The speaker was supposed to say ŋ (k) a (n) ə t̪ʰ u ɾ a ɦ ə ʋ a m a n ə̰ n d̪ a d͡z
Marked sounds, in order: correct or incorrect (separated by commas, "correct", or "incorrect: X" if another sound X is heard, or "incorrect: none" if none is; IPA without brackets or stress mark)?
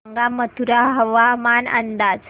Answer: incorrect: ɡ, incorrect: m